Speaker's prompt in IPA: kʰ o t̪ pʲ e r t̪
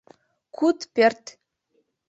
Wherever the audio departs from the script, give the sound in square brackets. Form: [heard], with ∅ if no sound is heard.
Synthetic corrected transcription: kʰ [u] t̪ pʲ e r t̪